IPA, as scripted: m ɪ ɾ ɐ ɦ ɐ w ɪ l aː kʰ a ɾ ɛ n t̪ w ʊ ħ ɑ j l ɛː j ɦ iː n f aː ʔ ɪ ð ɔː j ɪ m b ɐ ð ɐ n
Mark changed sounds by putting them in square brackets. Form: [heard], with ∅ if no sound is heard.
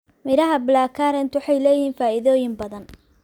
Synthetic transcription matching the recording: m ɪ ɾ ɐ ɦ ɐ [b] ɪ l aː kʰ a ɾ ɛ n t̪ w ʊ ħ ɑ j l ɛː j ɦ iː n f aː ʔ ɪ ð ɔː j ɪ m b ɐ ð ɐ n